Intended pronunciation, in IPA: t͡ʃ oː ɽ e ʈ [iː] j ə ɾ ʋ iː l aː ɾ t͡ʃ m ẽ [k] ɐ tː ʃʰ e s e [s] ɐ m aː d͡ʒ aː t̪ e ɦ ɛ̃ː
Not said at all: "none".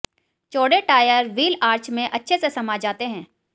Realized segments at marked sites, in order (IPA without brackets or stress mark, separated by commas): aː, ʔ, s